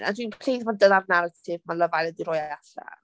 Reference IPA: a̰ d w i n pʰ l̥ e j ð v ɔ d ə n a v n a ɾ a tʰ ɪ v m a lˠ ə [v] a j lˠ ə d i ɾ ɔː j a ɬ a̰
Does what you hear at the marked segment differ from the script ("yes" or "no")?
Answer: no